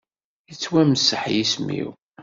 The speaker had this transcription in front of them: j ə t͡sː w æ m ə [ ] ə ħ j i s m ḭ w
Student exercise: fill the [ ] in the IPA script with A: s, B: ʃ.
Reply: A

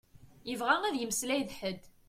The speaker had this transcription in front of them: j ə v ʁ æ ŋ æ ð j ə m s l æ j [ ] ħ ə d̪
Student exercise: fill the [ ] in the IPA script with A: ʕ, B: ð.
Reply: B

